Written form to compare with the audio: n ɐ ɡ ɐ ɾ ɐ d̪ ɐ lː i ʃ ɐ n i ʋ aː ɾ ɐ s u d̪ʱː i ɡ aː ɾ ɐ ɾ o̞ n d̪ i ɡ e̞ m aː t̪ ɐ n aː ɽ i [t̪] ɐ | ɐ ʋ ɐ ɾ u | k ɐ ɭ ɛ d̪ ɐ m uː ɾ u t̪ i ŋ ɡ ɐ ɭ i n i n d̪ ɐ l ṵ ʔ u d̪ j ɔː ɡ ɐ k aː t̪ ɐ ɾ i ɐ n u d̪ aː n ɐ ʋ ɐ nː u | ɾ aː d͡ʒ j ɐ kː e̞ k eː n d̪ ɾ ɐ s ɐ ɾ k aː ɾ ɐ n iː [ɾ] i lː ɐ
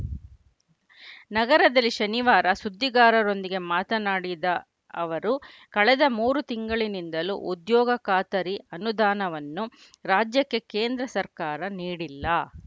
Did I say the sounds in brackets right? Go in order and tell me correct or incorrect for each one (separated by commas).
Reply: incorrect, incorrect